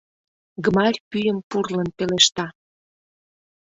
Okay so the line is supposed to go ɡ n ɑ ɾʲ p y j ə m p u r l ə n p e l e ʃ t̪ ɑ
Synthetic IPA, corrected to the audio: ɡ m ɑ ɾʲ p y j ə m p u r l ə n p e l e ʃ t̪ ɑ